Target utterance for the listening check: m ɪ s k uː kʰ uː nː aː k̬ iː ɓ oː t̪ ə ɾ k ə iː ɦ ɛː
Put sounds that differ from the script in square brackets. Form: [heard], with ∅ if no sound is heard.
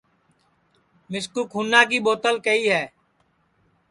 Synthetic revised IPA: m ɪ s k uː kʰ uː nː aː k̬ iː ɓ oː t̪ ə [l] k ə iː ɦ ɛː